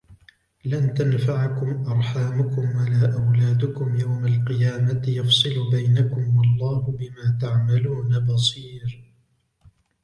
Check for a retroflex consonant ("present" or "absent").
absent